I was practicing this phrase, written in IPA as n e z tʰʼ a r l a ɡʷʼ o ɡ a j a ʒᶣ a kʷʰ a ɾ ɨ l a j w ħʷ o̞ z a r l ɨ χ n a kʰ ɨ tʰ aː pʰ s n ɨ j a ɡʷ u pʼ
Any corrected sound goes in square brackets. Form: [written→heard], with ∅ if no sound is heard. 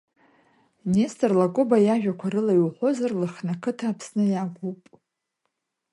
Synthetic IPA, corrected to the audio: n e [z→s] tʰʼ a r l a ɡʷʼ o [ɡ→b] a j a ʒᶣ a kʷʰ a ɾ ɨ l a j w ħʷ o̞ z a r l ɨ χ n a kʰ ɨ tʰ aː pʰ s n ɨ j a ɡʷ u pʼ